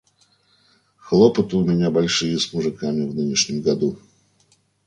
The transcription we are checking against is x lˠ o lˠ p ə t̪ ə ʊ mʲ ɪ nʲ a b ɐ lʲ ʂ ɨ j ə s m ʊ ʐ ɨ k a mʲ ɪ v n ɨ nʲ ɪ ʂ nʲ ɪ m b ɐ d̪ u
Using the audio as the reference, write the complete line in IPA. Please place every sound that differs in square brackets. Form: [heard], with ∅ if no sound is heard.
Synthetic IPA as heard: x lˠ o [∅] p ə t̪ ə ʊ mʲ ɪ nʲ a b ɐ lʲ ʂ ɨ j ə s m ʊ ʐ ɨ k a mʲ ɪ v n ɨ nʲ ɪ ʂ nʲ ɪ m [ɡ] ɐ d̪ u